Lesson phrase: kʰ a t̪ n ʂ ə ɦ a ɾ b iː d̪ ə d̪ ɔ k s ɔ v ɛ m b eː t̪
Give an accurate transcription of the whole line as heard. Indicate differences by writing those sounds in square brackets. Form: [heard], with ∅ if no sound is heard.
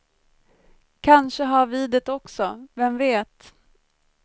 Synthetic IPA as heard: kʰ a [∅] n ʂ ə ɦ a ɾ [v] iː d̪ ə [t̪] ɔ k s ɔ v ɛ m [v] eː t̪